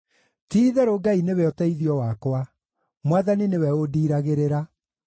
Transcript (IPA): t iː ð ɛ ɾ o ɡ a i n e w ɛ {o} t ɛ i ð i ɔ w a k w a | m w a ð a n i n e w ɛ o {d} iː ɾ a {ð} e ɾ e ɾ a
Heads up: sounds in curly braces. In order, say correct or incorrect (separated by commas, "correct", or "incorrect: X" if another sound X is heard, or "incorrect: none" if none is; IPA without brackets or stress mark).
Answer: incorrect: ɔ, correct, incorrect: ɣ